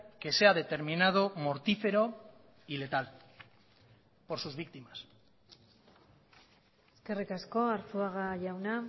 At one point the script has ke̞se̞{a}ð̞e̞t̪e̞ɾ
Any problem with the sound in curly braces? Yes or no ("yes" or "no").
no